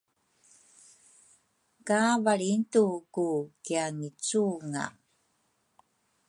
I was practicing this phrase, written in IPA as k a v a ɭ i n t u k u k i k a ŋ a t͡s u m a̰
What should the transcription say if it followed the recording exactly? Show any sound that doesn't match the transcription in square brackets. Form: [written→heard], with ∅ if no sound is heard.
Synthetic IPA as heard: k a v a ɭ i n t u k u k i [k→∅] a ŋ [a→i] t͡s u [m→ŋ] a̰